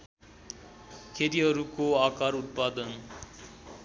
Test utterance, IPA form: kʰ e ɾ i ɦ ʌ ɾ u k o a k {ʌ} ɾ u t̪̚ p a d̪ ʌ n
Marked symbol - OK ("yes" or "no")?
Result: no